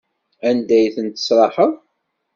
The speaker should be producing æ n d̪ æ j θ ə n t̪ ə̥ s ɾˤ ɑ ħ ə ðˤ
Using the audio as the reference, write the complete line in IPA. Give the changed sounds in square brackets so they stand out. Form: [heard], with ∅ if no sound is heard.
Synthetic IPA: æ n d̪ æ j θ ə n t̪ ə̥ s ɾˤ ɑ ħ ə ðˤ